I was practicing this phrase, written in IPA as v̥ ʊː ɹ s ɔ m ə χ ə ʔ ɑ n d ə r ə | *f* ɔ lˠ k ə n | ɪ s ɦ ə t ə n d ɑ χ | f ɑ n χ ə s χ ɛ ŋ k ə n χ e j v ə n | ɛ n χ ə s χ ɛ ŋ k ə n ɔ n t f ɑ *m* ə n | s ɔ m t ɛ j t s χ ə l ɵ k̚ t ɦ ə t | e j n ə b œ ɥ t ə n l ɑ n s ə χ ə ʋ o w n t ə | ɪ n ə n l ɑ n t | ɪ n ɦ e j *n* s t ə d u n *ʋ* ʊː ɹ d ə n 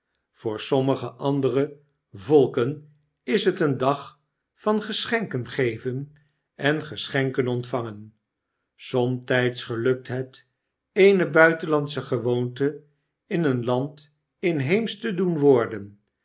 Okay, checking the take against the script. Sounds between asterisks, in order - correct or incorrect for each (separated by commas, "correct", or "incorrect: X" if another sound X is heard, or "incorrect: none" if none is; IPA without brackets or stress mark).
incorrect: v, incorrect: ŋ, incorrect: m, correct